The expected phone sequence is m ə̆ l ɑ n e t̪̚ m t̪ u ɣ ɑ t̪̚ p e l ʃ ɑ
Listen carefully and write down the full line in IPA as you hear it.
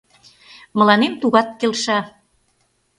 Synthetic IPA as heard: m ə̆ l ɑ n e m t̪ u ɣ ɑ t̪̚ k e l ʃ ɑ